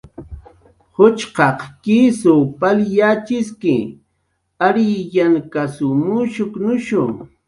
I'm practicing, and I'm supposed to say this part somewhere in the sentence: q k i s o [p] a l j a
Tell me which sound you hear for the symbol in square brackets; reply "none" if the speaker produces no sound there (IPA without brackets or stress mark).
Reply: p